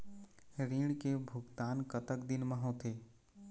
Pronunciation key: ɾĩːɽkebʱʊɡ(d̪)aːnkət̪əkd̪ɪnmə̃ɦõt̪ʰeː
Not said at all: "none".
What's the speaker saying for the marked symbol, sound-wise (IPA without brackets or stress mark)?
t̪